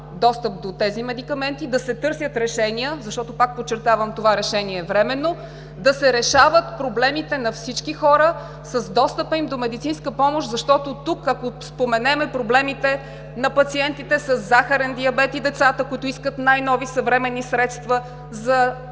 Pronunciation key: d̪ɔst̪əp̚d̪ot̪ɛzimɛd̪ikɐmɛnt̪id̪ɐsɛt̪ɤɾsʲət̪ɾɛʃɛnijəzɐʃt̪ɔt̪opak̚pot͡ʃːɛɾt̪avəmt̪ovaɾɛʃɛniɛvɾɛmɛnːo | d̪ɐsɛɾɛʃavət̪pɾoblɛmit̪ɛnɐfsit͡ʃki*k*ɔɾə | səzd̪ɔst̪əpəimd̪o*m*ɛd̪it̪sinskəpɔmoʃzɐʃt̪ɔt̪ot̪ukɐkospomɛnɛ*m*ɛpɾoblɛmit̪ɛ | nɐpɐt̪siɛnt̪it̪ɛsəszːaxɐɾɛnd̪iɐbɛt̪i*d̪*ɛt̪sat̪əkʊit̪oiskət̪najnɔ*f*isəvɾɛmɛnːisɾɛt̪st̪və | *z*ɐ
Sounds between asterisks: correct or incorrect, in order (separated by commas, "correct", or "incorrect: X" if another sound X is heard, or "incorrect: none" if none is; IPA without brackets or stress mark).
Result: incorrect: x, correct, correct, correct, incorrect: v, correct